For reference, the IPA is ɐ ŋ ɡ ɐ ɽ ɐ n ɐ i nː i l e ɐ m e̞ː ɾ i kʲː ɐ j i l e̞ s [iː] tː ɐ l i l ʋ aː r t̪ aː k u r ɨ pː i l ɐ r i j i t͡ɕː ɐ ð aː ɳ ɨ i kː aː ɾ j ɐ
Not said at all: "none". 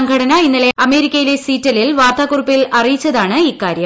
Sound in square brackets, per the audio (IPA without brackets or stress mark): iː